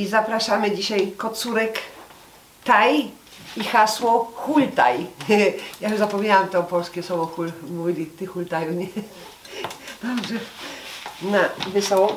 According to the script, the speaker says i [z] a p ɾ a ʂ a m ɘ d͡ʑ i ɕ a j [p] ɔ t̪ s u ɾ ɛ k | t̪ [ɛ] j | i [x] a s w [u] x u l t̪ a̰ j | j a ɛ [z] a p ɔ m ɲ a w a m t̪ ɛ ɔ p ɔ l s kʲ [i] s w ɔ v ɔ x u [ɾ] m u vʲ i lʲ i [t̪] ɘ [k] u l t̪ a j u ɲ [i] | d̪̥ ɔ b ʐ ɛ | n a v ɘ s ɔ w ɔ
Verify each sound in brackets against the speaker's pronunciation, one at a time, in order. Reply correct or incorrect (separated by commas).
correct, incorrect, incorrect, correct, incorrect, correct, incorrect, incorrect, correct, incorrect, incorrect